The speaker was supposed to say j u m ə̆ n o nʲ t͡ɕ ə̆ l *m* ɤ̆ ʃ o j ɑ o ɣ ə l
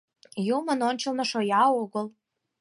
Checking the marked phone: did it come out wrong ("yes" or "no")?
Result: yes